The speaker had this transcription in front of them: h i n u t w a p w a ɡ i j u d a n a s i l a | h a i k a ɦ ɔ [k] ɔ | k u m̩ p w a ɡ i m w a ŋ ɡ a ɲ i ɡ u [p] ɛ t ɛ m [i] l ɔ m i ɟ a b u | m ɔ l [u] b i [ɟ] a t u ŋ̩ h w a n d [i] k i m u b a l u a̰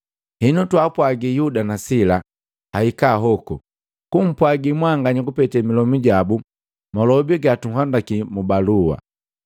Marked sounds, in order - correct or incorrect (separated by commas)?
correct, correct, correct, incorrect, incorrect, incorrect